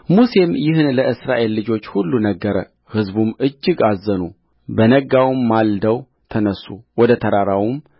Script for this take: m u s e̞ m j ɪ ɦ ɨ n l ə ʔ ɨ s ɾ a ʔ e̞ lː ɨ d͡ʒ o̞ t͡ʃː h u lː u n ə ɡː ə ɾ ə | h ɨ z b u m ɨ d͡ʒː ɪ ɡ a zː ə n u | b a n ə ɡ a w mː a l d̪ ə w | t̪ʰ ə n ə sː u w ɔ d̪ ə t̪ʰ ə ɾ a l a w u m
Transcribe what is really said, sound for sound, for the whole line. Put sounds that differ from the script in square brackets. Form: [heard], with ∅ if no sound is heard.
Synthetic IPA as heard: m u s e̞ m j ɪ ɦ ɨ n l ə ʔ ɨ s ɾ a ʔ e̞ lː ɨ d͡ʒ o̞ t͡ʃː h u lː u n ə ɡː ə ɾ ə | h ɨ z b u m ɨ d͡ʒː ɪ ɡ a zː ə n u | b [ə] n ə ɡ a w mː a l d̪ ə w | t̪ʰ ə n ə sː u w ɔ d̪ ə t̪ʰ ə ɾ a [ɾ] a w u m